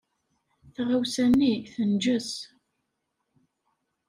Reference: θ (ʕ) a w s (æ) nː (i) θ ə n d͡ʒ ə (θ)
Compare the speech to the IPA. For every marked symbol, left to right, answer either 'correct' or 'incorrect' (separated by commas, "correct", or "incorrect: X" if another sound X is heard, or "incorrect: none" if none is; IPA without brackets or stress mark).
incorrect: ʁ, correct, correct, incorrect: s